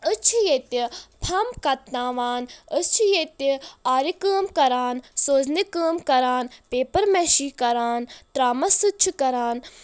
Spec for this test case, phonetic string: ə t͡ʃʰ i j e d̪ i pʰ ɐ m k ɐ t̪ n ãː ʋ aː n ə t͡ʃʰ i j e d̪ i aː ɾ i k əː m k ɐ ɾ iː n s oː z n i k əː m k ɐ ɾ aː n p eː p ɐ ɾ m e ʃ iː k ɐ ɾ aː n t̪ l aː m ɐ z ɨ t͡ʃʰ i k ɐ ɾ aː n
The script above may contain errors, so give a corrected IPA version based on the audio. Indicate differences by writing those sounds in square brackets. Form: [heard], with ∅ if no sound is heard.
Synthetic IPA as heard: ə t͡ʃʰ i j e [t̪] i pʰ ɐ m k ɐ t̪ n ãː ʋ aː n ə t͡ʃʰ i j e [t̪] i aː ɾ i k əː m k ɐ ɾ [aː] n s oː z n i k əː m k ɐ ɾ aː n p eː p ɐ ɾ m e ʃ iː k ɐ ɾ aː n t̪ [ɾ] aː m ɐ [s] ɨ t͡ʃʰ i k ɐ ɾ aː n

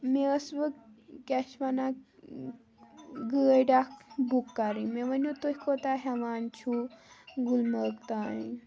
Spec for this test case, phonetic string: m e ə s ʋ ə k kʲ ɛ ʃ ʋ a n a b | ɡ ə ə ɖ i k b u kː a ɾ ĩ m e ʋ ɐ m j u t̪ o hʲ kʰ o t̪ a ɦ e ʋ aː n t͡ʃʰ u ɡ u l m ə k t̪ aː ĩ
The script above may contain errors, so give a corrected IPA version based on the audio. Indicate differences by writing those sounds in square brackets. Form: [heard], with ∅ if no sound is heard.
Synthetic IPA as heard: m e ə s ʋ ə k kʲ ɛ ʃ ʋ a n a [∅] | ɡ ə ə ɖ [a] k b u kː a ɾ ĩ m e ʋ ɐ [n] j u t̪ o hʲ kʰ o t̪ a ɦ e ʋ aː n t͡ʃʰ u ɡ u l m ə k t̪ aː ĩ

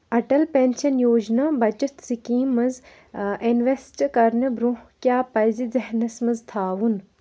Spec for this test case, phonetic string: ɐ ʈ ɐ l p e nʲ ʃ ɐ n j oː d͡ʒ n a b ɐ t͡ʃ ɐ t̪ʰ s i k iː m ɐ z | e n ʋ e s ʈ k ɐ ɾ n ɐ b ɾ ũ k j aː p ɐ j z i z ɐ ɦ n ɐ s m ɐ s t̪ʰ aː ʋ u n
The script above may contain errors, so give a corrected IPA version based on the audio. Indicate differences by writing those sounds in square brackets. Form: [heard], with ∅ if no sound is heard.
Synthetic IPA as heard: ɐ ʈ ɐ l p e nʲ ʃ ɐ n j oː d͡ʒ n a b ɐ t͡ʃ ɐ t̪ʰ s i k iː m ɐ z | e n ʋ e s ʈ k ɐ ɾ n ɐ b ɾ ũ k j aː p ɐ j z i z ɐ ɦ n ɐ s m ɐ [z] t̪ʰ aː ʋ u n

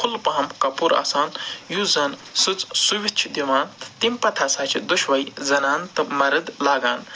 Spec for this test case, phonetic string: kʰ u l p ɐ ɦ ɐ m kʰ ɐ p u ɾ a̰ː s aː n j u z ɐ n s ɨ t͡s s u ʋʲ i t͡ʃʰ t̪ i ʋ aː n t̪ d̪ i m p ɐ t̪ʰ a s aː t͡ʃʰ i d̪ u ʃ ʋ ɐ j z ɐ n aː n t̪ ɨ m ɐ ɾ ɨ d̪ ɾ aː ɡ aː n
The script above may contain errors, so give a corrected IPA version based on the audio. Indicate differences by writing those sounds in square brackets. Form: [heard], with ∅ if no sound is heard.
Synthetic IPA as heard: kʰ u l p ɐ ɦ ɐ m [k] ɐ p u ɾ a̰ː s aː n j u z ɐ n s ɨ t͡s s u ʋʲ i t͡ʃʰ [d̪] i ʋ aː n t̪ [t̪] i m p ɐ t̪ʰ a s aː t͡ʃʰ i d̪ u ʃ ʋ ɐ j z ɐ n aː n t̪ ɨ m ɐ ɾ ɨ d̪ [l] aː ɡ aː n

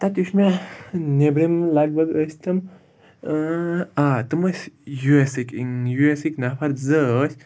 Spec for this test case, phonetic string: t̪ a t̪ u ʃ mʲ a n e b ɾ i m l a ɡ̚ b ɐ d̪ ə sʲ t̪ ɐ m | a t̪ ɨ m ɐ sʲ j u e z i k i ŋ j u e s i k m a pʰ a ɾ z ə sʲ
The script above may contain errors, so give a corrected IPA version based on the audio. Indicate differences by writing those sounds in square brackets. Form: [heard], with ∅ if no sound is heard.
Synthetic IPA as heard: t̪ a t̪ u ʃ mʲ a n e b ɾ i m l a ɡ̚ b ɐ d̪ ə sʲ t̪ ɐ m | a t̪ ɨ m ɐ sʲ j u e [s] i k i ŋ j u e s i k [n] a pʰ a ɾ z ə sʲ

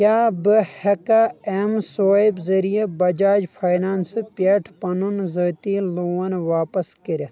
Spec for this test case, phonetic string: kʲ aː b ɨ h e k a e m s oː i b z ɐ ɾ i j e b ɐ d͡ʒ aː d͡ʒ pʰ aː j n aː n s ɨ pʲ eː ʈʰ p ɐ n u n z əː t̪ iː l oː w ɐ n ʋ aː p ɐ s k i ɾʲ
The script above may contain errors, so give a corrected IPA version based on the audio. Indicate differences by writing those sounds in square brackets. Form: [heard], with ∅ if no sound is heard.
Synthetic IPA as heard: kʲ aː b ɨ h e k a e m s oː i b z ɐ ɾ i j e b ɐ d͡ʒ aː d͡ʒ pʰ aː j n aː n s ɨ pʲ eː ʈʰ p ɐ n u n z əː t̪ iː l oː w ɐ n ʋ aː p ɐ s k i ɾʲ

